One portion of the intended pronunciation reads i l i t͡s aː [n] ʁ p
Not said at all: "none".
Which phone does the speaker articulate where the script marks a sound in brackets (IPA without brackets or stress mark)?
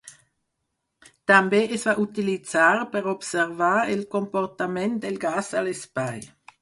none